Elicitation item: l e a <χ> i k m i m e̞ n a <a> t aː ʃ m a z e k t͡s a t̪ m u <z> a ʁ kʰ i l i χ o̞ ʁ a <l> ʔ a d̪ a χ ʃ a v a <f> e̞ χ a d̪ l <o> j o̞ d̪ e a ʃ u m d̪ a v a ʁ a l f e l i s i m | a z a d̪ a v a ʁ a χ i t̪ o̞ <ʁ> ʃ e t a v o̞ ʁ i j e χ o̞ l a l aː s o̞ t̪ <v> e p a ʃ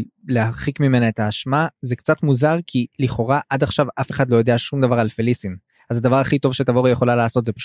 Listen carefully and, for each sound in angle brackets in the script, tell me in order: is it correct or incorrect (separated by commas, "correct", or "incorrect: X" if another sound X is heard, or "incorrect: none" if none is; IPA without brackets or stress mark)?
correct, incorrect: e, correct, incorrect: none, correct, correct, incorrect: v, incorrect: z